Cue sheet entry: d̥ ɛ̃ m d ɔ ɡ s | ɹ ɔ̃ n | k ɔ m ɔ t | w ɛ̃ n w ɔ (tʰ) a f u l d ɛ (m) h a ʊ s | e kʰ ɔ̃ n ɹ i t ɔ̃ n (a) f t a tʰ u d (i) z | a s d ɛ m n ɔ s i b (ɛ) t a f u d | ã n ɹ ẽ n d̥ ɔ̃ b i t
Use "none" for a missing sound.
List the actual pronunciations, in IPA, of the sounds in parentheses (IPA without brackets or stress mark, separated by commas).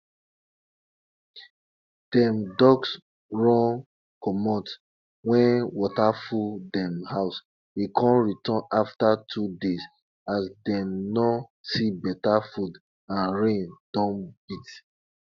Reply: t, m, a, e, ɛ